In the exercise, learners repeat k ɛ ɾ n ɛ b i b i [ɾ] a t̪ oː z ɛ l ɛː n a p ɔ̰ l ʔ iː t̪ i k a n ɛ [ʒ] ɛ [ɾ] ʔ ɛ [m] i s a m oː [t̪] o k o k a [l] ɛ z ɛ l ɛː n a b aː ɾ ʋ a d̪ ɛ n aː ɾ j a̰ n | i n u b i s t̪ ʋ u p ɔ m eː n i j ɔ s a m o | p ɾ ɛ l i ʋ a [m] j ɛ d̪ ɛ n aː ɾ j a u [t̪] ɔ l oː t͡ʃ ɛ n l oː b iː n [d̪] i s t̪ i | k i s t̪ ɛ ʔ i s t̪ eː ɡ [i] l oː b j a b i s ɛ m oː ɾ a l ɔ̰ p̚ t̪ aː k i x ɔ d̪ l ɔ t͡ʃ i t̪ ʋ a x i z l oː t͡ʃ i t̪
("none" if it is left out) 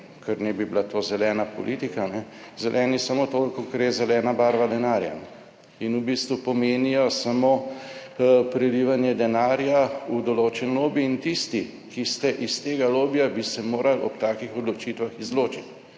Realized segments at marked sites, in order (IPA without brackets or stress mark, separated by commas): l, z, l, n, t̪, ɾ, n, d̪, t̪, a